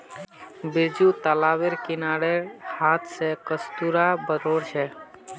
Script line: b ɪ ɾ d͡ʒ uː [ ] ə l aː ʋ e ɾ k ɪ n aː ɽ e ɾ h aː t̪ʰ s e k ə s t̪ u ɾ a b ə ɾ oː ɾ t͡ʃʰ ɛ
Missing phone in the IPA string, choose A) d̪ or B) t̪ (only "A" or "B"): B